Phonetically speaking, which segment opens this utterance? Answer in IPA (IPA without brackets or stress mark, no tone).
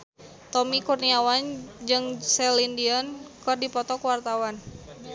t̪